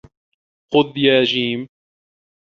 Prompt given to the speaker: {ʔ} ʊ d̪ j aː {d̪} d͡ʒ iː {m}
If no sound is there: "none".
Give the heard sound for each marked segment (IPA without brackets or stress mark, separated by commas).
q, none, m